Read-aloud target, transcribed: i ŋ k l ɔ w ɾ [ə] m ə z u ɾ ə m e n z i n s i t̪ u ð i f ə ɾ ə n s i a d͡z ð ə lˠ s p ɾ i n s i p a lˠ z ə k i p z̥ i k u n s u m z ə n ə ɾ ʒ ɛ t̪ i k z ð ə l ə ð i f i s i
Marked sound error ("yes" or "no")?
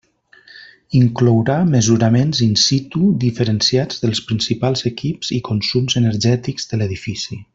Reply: yes